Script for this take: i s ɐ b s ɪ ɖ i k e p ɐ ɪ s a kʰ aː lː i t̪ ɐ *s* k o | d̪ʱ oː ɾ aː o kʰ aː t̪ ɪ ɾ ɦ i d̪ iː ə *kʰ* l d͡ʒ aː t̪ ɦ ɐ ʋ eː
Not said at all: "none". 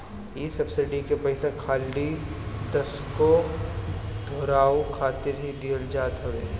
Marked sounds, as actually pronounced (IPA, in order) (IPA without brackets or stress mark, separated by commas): s, none